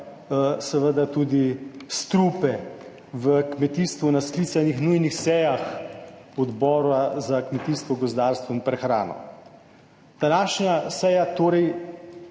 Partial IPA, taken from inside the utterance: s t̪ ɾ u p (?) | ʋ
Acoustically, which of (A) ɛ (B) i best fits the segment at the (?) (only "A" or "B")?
A